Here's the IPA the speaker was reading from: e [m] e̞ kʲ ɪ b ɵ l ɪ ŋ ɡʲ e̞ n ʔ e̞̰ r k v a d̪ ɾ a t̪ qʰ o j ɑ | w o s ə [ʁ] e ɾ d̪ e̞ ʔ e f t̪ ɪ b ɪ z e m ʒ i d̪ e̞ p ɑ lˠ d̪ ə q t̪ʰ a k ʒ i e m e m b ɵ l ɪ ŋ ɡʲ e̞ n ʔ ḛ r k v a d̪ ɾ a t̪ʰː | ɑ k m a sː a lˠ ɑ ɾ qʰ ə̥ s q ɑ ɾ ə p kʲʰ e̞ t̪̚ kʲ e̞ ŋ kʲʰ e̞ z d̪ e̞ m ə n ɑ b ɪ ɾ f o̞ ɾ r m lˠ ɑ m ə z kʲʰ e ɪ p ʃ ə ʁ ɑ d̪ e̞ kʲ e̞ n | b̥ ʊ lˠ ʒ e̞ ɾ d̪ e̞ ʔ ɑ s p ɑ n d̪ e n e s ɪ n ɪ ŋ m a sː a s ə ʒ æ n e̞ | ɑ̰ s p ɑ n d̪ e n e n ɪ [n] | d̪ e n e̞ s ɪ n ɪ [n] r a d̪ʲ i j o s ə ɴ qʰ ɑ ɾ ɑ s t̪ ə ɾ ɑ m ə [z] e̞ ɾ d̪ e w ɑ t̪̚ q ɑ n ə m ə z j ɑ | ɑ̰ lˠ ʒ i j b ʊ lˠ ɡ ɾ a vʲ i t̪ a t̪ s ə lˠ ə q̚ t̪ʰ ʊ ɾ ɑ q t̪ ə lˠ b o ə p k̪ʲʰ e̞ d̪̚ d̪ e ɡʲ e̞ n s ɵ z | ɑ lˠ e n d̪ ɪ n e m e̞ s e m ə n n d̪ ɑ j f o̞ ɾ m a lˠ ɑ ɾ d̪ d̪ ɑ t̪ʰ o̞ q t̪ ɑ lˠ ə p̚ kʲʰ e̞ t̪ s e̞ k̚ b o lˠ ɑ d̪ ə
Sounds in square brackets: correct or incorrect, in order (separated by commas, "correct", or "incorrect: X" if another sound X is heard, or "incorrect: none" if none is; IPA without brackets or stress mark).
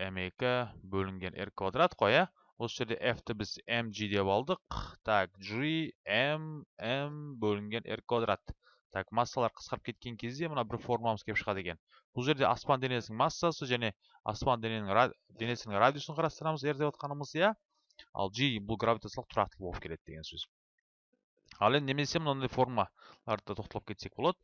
correct, incorrect: ʒ, incorrect: ŋ, incorrect: ŋ, correct